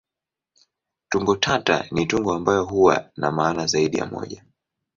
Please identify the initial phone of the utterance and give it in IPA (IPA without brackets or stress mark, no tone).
t